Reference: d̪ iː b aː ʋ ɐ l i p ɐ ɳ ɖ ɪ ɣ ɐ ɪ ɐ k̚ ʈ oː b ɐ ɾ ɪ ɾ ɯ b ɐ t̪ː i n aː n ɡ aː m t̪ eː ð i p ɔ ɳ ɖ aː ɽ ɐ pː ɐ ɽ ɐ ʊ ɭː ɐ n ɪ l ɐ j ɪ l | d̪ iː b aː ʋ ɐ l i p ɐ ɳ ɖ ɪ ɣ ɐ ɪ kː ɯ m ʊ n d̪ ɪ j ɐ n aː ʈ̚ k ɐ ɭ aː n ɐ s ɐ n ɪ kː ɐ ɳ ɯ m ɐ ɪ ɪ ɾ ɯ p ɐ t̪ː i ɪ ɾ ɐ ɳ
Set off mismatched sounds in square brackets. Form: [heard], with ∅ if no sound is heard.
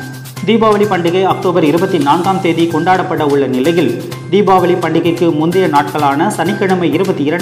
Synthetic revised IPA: d̪ iː b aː ʋ ɐ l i p ɐ ɳ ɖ ɪ ɣ ɐ ɪ ɐ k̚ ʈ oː b ɐ ɾ ɪ ɾ ɯ b ɐ t̪ː i n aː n ɡ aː m t̪ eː ð i [k] ɔ ɳ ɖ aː ɽ ɐ pː ɐ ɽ ɐ ʊ ɭː ɐ n ɪ l ɐ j ɪ l | d̪ iː b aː ʋ ɐ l i p ɐ ɳ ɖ ɪ ɣ ɐ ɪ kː ɯ m ʊ n d̪ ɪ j ɐ n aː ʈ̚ k ɐ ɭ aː n ɐ s ɐ n ɪ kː ɐ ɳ ɯ m ɐ ɪ ɪ ɾ ɯ [b] ɐ t̪ː i ɪ ɾ ɐ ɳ